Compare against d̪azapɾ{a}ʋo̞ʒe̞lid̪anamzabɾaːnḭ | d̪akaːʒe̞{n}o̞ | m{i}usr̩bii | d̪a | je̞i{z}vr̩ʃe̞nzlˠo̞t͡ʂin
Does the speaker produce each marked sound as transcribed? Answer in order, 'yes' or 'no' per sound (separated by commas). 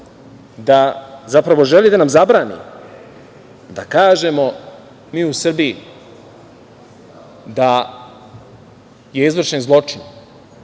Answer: yes, no, no, yes